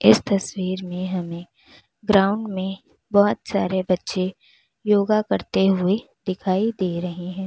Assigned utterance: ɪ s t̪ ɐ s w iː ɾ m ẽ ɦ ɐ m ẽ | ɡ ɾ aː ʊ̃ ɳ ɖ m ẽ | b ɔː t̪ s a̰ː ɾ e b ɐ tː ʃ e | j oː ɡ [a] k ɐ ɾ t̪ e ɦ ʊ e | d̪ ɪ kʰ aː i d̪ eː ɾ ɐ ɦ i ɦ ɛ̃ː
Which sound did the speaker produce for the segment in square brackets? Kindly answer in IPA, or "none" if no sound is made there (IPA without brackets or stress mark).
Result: a